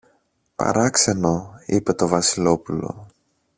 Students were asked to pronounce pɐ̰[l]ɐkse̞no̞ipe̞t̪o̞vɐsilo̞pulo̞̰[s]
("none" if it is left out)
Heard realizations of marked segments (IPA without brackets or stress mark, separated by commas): ɾ, none